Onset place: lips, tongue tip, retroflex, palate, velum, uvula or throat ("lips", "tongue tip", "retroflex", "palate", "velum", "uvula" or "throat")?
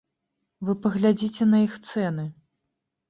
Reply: lips